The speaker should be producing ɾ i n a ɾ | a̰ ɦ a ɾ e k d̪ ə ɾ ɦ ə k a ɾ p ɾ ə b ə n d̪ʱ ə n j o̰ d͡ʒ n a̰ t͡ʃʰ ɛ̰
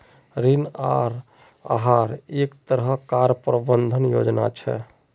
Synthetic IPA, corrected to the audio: ɾ i n a ɾ | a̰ ɦ a ɾ e k t̪ ə ɾ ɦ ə k a ɾ p ɾ ə b ə n d̪ʱ ə n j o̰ d͡ʒ n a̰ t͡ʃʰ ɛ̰